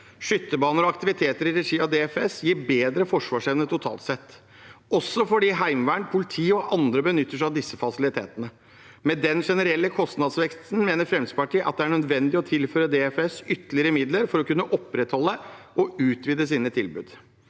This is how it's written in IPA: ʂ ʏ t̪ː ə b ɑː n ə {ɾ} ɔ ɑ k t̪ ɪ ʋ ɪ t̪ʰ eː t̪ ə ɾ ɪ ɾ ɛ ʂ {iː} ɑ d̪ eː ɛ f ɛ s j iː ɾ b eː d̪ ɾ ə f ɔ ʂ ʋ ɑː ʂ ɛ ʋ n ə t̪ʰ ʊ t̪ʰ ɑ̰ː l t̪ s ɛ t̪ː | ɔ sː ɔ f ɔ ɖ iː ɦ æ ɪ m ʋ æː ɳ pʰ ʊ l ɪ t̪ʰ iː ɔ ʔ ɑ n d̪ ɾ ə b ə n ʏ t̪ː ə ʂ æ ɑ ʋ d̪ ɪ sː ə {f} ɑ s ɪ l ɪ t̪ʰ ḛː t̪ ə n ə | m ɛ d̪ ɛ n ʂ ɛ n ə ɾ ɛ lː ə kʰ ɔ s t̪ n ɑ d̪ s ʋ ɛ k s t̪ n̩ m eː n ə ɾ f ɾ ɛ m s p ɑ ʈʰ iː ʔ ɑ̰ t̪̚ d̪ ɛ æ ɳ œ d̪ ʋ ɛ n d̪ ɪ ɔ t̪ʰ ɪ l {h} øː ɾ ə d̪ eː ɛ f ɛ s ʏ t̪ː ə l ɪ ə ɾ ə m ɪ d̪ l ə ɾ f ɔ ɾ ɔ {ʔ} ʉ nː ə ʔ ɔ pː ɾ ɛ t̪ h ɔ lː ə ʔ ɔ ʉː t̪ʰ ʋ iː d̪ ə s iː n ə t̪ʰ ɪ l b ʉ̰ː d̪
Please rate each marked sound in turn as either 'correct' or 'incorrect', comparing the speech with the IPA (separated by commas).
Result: correct, correct, correct, incorrect, incorrect